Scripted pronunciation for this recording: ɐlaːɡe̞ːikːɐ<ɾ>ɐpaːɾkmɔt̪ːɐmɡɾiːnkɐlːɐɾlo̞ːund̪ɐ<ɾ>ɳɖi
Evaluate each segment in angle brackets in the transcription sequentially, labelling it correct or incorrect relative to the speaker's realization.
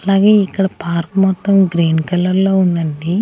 incorrect: ɽ, incorrect: none

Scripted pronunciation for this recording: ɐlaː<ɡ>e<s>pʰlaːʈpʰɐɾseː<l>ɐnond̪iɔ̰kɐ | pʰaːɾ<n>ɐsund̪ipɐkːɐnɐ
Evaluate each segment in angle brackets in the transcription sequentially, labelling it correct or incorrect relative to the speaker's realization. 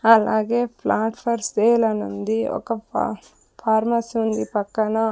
correct, incorrect: none, correct, incorrect: m

